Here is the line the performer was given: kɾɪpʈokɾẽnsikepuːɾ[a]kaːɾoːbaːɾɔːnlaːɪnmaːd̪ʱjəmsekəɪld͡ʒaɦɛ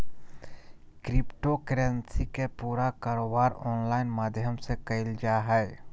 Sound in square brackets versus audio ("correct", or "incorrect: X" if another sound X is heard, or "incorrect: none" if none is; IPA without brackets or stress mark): correct